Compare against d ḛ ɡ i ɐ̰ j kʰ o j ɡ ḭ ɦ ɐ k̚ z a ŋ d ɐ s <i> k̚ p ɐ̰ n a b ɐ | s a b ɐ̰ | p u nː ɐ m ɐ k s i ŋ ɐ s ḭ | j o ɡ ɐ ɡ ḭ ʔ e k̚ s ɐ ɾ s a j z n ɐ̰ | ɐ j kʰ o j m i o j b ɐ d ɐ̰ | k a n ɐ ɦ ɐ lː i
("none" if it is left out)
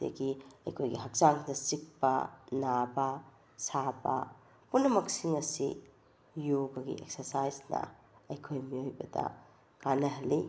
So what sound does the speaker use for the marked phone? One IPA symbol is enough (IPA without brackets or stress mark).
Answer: i